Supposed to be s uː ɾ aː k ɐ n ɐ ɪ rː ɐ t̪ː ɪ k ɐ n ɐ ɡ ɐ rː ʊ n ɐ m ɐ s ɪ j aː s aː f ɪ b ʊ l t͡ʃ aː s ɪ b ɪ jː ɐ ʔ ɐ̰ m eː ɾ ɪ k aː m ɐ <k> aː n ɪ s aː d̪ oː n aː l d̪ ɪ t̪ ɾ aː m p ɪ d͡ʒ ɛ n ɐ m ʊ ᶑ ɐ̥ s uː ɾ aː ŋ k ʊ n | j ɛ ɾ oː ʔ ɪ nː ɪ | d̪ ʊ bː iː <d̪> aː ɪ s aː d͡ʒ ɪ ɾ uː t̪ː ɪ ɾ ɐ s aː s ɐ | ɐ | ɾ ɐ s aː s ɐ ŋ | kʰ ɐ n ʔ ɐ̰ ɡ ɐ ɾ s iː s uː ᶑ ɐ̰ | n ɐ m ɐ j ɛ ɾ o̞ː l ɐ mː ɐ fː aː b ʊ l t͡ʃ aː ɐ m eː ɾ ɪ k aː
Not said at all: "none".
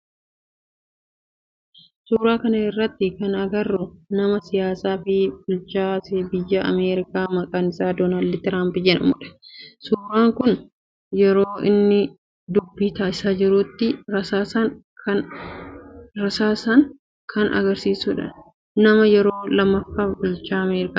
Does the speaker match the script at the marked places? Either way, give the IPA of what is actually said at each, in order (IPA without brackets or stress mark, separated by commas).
kʼ, t̪